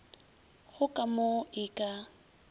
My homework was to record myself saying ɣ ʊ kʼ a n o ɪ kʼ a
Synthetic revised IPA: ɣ ʊ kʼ a m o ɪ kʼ a